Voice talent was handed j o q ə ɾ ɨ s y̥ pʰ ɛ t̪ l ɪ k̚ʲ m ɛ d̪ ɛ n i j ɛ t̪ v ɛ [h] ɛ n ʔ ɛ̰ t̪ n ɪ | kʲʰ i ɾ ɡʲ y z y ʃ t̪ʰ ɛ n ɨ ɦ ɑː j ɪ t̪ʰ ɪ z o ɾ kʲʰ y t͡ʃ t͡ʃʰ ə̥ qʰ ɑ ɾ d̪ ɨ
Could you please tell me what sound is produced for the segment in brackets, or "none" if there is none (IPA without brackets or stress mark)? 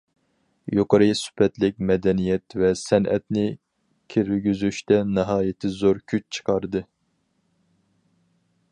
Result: s